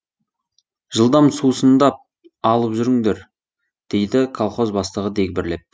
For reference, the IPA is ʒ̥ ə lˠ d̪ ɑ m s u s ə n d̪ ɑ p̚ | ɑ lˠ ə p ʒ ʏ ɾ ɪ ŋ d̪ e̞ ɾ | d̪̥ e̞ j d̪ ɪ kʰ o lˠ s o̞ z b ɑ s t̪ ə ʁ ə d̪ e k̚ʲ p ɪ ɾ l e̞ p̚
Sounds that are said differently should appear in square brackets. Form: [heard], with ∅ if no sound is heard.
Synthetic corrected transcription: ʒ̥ ə lˠ d̪ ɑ m s u s ə n d̪ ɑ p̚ | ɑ lˠ ə p ʒ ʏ ɾ ɪ ŋ d̪ e̞ ɾ | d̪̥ e̞ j d̪ ɪ kʰ o lˠ [χ] o̞ z b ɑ s t̪ ə ʁ ə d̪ e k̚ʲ [b] ɪ ɾ l e̞ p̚